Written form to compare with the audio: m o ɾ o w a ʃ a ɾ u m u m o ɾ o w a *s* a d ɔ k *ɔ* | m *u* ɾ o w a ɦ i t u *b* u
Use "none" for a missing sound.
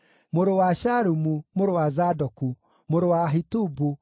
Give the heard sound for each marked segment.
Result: z, u, o, b

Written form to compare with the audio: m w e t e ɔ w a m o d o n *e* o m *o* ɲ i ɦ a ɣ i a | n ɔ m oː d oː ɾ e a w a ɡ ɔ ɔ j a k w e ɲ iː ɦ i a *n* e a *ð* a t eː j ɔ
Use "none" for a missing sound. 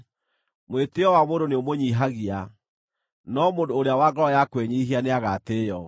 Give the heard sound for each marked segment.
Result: e, o, n, ɣ

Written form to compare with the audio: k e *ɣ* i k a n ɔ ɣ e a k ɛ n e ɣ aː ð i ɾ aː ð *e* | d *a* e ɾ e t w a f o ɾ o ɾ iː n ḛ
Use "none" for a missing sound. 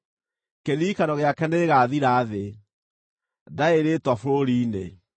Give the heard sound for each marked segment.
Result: ð, e, a

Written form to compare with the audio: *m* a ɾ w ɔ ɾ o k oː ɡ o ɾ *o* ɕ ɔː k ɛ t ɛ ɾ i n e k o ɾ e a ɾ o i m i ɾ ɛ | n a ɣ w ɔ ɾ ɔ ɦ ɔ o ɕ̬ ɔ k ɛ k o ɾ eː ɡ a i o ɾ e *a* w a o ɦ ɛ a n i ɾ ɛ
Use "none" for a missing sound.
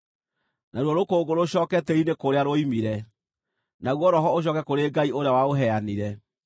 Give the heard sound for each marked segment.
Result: n, o, a

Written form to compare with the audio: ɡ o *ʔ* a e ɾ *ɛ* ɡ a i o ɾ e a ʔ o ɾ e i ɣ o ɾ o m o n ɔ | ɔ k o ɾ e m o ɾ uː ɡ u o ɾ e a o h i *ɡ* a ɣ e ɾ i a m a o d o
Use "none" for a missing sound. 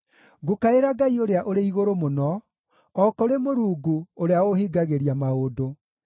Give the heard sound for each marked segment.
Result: k, a, ɡ

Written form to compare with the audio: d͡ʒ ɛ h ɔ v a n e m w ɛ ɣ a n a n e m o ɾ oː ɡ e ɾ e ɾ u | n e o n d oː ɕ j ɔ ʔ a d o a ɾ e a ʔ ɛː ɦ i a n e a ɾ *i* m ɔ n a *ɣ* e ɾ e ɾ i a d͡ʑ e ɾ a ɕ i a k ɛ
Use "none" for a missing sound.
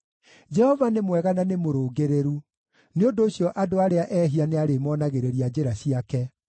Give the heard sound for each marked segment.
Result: e, ɣ

